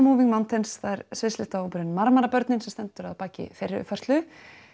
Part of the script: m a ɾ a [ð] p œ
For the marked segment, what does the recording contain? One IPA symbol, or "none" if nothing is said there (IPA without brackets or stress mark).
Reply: none